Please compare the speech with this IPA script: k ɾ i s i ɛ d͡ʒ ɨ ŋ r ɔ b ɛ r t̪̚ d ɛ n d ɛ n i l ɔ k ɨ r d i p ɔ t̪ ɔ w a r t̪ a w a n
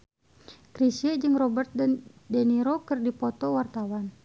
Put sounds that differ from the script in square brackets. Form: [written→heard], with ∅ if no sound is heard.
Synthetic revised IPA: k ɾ i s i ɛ d͡ʒ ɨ ŋ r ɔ b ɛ r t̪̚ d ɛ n d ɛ n i [l→ɾ] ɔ k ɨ r d i p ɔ t̪ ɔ w a r t̪ a w a n